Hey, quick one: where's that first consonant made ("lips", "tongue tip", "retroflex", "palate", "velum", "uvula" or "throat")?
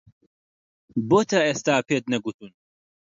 lips